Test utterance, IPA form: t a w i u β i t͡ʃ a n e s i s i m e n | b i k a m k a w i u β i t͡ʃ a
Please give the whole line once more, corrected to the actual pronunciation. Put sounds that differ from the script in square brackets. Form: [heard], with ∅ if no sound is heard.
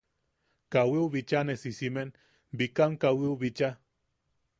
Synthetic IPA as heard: [k] a w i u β i t͡ʃ a n e s i s i m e n | b i k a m k a w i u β i t͡ʃ a